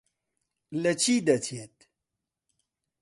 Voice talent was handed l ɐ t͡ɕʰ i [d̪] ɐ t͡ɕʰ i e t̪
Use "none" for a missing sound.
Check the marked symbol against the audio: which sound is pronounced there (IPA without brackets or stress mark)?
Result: d̪